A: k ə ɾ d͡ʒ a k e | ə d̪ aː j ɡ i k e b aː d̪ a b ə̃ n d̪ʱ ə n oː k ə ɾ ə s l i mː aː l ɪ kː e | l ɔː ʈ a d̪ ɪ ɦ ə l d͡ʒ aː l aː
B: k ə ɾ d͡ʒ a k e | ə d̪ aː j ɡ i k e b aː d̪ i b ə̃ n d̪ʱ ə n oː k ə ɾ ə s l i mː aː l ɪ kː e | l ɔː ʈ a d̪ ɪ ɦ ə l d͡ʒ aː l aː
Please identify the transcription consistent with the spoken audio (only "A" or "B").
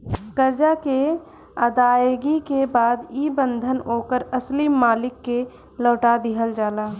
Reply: B